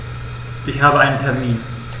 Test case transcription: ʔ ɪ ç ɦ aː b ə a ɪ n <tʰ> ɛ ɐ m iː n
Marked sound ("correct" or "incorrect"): correct